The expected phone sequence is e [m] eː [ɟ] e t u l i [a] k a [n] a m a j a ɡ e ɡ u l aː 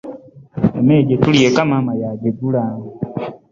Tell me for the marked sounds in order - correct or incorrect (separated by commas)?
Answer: correct, correct, incorrect, incorrect